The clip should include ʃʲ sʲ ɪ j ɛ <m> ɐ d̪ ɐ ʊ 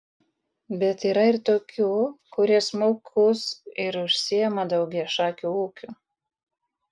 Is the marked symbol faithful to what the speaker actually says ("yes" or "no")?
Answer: yes